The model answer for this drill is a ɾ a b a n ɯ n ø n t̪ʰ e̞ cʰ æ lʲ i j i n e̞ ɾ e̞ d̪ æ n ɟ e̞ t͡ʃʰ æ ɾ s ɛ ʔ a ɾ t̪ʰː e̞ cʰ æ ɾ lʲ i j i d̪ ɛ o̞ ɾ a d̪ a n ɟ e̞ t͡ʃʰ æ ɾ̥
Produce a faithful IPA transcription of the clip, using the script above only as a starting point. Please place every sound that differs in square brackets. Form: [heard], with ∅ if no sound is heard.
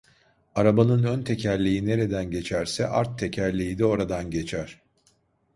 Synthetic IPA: a ɾ a b a n ɯ n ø n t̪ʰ e̞ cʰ æ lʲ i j i n e̞ ɾ e̞ d̪ æ n ɟ e̞ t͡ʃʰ æ ɾ s ɛ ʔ a ɾ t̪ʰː e̞ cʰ æ ɾ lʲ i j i d̪ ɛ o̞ ɾ a d̪ a n ɟ e̞ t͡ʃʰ æ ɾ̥